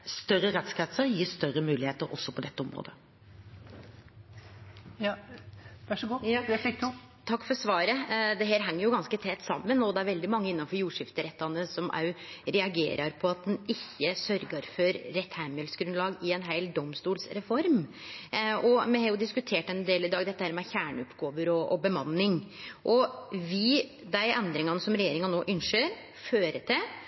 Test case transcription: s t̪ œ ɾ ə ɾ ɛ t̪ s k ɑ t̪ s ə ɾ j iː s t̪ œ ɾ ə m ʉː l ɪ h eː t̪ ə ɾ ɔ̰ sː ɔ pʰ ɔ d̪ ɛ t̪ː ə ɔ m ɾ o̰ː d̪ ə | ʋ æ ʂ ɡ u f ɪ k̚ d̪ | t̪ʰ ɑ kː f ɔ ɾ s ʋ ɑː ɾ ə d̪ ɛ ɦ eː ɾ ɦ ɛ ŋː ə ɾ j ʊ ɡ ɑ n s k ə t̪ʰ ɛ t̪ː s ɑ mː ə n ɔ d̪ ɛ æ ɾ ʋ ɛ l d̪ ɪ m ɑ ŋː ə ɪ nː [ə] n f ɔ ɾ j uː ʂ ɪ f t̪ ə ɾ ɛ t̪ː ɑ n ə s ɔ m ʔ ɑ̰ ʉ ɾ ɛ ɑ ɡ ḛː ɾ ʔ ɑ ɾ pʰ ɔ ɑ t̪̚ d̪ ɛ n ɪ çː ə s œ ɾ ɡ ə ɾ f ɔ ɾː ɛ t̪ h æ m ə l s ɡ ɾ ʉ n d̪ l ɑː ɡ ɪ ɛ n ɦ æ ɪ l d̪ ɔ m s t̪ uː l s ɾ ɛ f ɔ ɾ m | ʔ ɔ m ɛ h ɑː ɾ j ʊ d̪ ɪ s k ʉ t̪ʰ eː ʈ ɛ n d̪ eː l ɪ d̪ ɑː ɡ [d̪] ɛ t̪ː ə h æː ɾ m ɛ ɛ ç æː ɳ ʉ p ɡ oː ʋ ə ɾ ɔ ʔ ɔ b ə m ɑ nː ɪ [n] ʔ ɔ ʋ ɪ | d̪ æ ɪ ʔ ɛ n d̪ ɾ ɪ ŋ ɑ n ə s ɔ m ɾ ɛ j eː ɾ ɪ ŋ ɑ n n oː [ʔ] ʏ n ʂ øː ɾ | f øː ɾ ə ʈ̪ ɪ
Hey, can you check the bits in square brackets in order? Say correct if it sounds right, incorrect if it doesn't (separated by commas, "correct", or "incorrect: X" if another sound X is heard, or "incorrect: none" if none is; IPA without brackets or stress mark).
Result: incorrect: ɑ, correct, incorrect: ŋ, correct